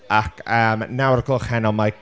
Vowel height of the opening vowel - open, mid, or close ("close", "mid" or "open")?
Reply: open